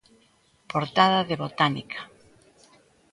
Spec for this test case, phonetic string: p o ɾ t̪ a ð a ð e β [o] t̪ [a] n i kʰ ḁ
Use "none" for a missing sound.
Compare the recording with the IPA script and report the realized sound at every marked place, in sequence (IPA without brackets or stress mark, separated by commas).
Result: o, a